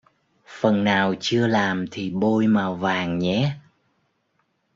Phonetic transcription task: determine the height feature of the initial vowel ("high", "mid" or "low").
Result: mid